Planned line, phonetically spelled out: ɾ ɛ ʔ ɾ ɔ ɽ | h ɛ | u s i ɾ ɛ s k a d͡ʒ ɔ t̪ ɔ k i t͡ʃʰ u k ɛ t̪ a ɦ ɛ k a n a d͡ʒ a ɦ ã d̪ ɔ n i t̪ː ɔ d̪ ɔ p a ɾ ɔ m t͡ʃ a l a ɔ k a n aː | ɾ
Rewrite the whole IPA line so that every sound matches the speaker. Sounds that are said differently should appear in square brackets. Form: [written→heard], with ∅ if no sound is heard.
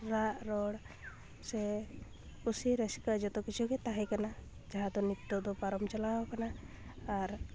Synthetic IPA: ɾ [ɛ→a] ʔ ɾ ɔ ɽ | [h→s] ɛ | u s i ɾ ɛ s k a d͡ʒ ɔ t̪ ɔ k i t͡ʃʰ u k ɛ t̪ a ɦ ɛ k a n a d͡ʒ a ɦ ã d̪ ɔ n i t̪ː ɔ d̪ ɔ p a ɾ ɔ m t͡ʃ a l a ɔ k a n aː | ɾ

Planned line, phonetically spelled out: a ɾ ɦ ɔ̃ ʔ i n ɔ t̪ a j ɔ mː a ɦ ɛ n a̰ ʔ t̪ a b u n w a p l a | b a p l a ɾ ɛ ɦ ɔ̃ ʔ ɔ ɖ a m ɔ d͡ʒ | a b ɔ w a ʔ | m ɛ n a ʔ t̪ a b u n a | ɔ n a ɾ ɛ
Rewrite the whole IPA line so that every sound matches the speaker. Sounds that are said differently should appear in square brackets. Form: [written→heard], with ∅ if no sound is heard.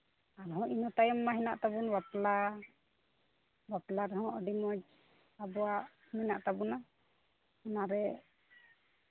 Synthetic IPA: a ɾ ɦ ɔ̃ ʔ i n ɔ t̪ a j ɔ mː a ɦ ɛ n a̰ ʔ t̪ a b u n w a p l a | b a p l a ɾ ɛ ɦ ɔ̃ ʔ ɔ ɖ [a→i] m ɔ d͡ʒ | a b ɔ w a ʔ | m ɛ n a ʔ t̪ a b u n a | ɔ n a ɾ ɛ

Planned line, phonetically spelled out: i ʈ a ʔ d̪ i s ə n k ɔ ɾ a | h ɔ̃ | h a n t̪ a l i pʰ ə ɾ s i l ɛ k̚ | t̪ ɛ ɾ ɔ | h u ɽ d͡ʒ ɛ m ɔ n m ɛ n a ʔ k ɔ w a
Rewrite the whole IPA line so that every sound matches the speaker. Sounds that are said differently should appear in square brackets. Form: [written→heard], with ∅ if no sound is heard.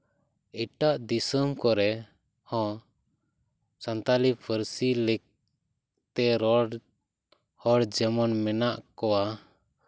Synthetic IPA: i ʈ a ʔ d̪ i s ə [n→m] k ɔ ɾ [a→ɛ] | h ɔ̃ | [h→s] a n t̪ a l i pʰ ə ɾ s i l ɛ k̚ | t̪ ɛ ɾ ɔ | h [u→ɔ] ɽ d͡ʒ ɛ m ɔ n m ɛ n a ʔ k ɔ w a

